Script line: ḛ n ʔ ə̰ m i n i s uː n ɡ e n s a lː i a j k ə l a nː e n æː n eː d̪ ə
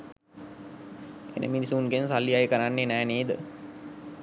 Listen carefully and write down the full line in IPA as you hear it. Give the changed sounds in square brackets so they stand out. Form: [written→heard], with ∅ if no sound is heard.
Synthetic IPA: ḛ n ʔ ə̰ m i n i s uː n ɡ e n s a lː i a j k ə [l→ɾ] a nː e n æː n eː d̪ ə